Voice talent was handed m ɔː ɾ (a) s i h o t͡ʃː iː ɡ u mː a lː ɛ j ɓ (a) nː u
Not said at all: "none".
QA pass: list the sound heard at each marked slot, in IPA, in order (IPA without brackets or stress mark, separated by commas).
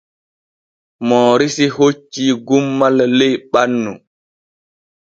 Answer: i, a